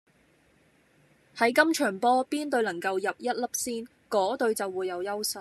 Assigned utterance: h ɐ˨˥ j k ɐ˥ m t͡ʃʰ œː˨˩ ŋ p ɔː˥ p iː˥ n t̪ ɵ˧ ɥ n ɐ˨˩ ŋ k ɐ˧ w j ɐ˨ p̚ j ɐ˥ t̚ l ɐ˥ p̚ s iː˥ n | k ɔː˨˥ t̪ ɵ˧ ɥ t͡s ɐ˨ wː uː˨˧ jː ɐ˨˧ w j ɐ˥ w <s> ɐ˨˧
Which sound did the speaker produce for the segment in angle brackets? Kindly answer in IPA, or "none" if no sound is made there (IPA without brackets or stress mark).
s